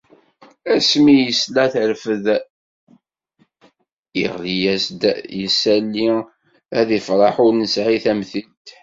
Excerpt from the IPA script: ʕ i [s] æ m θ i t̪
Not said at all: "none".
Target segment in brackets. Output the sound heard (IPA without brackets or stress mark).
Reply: θ